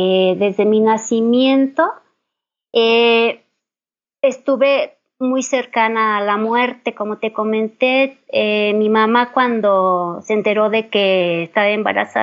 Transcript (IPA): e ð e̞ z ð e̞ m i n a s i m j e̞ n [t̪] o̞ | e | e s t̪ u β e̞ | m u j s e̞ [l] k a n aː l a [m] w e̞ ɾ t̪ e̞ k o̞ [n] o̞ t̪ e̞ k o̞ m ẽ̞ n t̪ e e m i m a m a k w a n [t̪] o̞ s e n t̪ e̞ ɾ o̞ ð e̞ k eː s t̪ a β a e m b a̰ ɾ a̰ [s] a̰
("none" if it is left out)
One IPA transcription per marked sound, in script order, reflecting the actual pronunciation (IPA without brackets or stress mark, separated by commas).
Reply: t̪, ɾ, m, m, d̪, s